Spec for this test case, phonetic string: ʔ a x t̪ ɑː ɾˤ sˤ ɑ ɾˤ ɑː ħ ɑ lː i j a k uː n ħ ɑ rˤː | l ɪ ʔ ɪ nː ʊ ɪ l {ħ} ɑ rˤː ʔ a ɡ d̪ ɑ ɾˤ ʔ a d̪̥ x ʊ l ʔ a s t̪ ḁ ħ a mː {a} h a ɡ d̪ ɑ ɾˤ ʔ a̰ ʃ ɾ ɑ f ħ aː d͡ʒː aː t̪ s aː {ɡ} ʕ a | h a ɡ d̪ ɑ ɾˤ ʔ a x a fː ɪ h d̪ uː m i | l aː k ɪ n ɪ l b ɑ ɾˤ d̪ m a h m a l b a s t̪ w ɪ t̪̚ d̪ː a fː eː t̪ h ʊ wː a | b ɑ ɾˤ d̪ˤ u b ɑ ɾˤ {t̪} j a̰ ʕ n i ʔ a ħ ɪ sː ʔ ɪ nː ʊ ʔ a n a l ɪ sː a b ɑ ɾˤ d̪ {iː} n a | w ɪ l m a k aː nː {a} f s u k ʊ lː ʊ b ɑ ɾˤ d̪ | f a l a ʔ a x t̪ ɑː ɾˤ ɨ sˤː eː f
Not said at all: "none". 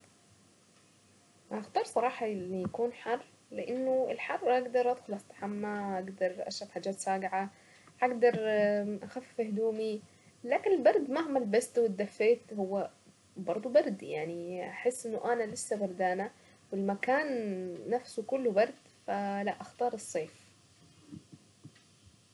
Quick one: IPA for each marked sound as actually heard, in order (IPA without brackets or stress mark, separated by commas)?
ħ, a, ɡ, d̪, aː, a